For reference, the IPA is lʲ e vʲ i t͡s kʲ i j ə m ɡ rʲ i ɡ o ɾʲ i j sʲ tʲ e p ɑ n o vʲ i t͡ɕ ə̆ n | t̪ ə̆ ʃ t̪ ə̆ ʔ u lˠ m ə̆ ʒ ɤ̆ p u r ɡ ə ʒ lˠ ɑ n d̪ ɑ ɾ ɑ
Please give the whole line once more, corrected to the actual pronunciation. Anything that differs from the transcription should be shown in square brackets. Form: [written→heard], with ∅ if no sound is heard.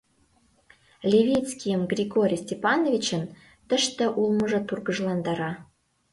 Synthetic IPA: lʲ e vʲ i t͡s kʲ i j ə m ɡ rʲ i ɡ o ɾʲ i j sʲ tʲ e p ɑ n o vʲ i t͡ɕ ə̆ n | t̪ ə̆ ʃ t̪ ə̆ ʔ u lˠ m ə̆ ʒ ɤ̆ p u r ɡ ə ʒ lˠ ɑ n d̪ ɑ ɾ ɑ